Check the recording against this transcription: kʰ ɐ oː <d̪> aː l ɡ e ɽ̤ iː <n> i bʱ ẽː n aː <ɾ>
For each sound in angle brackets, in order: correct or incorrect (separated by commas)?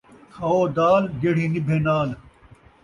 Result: correct, correct, incorrect